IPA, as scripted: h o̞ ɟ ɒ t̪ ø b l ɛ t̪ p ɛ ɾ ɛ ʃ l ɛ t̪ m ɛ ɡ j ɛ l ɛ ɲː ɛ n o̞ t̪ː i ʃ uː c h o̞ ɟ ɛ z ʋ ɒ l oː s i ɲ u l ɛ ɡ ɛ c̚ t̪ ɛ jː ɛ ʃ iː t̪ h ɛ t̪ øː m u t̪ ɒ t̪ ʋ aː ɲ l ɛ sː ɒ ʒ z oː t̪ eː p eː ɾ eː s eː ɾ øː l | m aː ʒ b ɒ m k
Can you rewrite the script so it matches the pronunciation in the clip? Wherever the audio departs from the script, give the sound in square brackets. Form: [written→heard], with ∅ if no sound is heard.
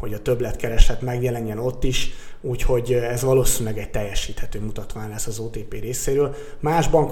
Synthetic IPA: h o̞ ɟ ɒ t̪ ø b l ɛ t̪ [p→k] ɛ ɾ ɛ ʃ l ɛ t̪ m ɛ ɡ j ɛ l ɛ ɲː ɛ n o̞ t̪ː i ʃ uː c h o̞ ɟ ɛ z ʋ ɒ l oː s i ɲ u l ɛ ɡ ɛ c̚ t̪ ɛ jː ɛ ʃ iː t̪ h ɛ t̪ øː m u t̪ ɒ t̪ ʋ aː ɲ l ɛ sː ɒ [ʒ→∅] z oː t̪ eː p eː ɾ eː s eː ɾ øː l | m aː ʒ b ɒ [m→ŋ] k